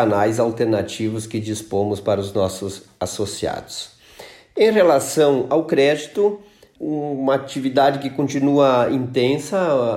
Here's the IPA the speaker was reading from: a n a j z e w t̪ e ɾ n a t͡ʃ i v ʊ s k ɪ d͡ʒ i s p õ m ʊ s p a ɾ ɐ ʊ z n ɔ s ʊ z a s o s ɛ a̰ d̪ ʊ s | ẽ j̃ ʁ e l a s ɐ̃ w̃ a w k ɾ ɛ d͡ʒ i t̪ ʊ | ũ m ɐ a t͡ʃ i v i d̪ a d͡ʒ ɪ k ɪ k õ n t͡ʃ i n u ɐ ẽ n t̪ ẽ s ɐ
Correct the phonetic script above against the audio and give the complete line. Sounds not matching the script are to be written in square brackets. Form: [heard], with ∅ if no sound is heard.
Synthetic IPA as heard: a n a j z [a] w t̪ e ɾ n a t͡ʃ i v ʊ s k ɪ d͡ʒ i s p õ m ʊ s p a ɾ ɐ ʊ z n ɔ s ʊ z a s o s [i] a̰ d̪ ʊ s | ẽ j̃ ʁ e l a s ɐ̃ w̃ a w k ɾ ɛ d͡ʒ i t̪ ʊ | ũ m ɐ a t͡ʃ i v i d̪ a d͡ʒ ɪ k ɪ k õ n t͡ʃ i n u ɐ [ĩ] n t̪ ẽ s ɐ